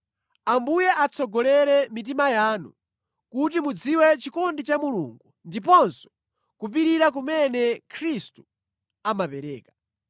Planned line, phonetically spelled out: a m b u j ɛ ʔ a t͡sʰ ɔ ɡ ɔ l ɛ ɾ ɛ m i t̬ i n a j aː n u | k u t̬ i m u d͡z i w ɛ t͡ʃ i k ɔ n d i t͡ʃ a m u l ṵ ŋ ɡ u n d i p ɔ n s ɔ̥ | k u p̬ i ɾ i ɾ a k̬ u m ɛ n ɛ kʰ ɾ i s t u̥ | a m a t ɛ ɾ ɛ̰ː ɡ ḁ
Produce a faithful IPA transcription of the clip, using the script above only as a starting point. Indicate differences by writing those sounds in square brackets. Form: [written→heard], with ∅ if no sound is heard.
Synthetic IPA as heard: a m b u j ɛ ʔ a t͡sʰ ɔ ɡ ɔ l ɛ ɾ ɛ m i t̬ i [n→m] a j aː n u | k u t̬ i m u d͡z i w ɛ t͡ʃ i k ɔ n d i t͡ʃ a m u l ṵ ŋ ɡ u n d i p ɔ n s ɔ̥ | k u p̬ i ɾ i ɾ a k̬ u m ɛ n ɛ kʰ ɾ i s t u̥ | a m a [t→p] ɛ ɾ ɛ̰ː [ɡ→k] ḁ